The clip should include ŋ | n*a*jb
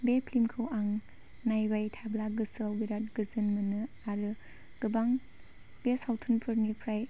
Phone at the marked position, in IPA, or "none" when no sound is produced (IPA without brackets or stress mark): a